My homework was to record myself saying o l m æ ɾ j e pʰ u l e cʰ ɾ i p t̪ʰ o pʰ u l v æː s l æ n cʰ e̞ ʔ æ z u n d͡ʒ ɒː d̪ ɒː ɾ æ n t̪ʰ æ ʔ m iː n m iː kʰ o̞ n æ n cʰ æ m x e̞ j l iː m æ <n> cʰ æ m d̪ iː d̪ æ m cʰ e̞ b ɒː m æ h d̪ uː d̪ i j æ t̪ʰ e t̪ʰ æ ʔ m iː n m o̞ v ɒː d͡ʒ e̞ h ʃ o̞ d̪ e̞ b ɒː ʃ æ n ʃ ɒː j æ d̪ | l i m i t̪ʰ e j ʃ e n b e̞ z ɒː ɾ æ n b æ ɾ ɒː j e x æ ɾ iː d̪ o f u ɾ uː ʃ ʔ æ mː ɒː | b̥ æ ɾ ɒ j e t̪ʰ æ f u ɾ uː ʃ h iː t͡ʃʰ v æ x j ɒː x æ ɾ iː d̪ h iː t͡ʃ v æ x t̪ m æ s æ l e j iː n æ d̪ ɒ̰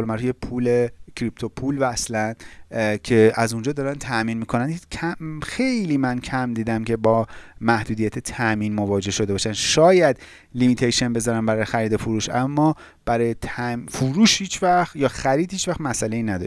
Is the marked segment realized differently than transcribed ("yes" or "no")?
no